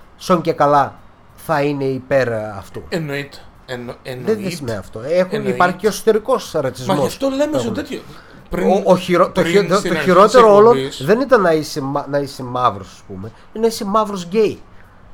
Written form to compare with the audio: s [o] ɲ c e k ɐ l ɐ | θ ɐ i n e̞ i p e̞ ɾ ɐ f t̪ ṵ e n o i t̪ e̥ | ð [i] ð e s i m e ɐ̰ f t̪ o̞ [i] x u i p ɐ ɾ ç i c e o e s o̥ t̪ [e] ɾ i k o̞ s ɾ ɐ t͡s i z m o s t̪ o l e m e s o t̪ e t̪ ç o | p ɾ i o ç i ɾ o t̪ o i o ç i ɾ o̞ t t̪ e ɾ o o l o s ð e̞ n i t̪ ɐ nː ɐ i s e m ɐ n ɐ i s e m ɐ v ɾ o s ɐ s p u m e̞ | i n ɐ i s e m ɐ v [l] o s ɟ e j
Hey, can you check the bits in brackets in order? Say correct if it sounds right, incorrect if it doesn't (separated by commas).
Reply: correct, incorrect, incorrect, correct, incorrect